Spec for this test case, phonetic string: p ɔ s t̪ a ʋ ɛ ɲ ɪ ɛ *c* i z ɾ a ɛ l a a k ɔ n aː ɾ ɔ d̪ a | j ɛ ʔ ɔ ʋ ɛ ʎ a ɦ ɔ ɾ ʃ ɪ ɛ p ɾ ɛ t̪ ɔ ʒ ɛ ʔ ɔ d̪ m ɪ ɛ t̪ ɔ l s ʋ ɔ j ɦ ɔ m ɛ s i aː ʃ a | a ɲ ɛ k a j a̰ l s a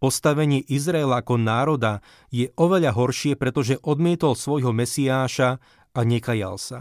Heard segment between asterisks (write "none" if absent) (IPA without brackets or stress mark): ʔ